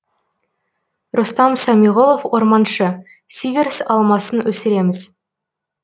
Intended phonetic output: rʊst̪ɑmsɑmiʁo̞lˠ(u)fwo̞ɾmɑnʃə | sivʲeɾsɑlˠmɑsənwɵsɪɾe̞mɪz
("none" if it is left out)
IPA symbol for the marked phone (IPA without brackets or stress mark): o